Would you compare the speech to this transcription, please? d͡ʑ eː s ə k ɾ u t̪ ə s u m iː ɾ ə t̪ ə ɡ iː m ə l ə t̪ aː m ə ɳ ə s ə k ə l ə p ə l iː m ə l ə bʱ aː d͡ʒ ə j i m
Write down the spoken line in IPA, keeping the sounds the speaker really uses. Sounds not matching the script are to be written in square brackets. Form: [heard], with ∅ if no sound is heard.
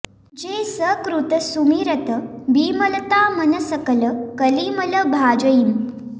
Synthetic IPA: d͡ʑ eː s ə k ɾ u t̪ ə s u m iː ɾ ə t̪ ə [b] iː m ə l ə t̪ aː m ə [n] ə s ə k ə l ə [k] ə l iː m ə l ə bʱ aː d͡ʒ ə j i m